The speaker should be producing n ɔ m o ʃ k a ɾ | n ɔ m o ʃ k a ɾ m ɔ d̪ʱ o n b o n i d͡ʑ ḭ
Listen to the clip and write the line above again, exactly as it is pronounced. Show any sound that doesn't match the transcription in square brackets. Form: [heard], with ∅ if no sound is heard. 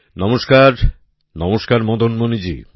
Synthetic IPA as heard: n ɔ m o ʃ k a ɾ | n ɔ m o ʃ k a ɾ m ɔ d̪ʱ o n [m] o n i d͡ʑ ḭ

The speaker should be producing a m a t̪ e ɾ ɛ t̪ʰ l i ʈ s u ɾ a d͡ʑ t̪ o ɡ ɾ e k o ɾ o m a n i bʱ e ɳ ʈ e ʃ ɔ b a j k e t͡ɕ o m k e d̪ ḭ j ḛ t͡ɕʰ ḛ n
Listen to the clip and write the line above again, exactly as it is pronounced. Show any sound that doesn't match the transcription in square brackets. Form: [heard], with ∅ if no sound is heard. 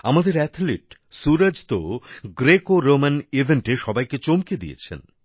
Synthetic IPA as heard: a m a [d̪] e ɾ ɛ t̪ʰ l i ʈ s u ɾ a d͡ʑ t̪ o ɡ ɾ e k o ɾ o m a n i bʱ e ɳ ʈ e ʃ ɔ b a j k e t͡ɕ o m k e d̪ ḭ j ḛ t͡ɕʰ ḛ n

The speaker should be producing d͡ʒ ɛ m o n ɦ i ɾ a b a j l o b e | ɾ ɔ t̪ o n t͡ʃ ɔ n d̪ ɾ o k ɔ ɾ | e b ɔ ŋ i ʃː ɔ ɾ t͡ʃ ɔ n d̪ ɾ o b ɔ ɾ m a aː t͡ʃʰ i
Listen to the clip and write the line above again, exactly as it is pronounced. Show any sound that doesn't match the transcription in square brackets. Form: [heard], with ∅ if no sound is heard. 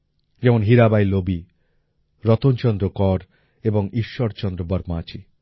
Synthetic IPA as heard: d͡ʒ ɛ m o n ɦ i ɾ a b a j l o b [i] | ɾ ɔ t̪ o n t͡ʃ ɔ n d̪ ɾ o k ɔ ɾ | e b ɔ ŋ i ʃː ɔ ɾ t͡ʃ ɔ n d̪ ɾ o b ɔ ɾ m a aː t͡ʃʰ i

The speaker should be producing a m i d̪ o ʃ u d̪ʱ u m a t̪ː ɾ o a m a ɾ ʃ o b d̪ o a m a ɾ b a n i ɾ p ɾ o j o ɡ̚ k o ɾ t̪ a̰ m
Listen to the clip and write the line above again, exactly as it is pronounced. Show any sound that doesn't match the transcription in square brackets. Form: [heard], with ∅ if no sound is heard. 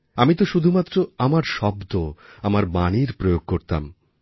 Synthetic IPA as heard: a m i [t̪] o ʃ u d̪ʱ u m a t̪ː ɾ o a m a ɾ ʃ [ɔ] b d̪ o a m a ɾ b a n i ɾ p ɾ o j o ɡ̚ k o ɾ t̪ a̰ m

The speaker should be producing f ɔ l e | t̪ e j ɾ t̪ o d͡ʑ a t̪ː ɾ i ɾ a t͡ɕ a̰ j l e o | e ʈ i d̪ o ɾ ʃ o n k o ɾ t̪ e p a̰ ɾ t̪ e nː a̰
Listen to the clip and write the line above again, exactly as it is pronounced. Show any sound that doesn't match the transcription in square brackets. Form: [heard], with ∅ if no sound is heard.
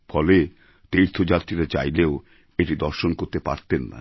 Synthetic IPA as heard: f ɔ l e | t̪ e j ɾ [t̪ʰ] o d͡ʑ a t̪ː ɾ i ɾ a t͡ɕ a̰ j l e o | e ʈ i d̪ [ɔ] ɾ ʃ o n k o ɾ t̪ e p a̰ ɾ t̪ e nː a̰

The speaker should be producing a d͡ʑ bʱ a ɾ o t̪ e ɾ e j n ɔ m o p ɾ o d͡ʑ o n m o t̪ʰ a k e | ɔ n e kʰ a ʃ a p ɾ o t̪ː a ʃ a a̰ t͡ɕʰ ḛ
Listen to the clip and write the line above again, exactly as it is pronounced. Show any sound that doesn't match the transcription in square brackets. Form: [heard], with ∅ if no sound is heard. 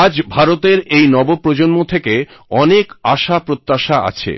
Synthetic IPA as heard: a d͡ʑ bʱ a ɾ o t̪ e ɾ e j n ɔ [b] o p ɾ o d͡ʑ o n m o t̪ʰ [e] k e | ɔ n e [k] a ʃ a p ɾ o t̪ː a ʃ a a̰ t͡ɕʰ ḛ

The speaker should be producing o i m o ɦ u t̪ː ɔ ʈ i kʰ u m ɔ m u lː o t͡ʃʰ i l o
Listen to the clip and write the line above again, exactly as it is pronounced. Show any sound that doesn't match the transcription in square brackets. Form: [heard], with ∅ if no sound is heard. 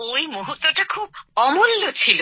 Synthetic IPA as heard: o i m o ɦ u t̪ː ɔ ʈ [a] kʰ u [b] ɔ m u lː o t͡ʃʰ i l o

